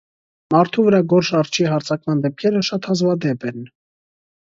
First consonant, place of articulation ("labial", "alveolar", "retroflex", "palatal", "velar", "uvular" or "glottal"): labial